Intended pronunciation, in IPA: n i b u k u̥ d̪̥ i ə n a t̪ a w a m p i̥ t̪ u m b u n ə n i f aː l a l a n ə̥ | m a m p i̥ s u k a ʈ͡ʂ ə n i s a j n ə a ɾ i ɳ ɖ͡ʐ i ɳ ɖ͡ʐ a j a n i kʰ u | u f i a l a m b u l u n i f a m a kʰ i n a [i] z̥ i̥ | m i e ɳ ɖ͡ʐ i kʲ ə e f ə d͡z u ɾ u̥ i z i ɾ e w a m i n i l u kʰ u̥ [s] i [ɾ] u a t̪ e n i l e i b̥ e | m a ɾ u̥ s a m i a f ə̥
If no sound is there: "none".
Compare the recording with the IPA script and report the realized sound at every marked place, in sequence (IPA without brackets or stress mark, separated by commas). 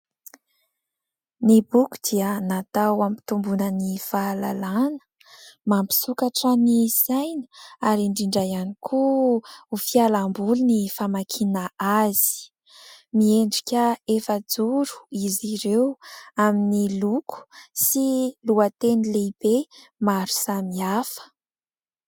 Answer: a, s, l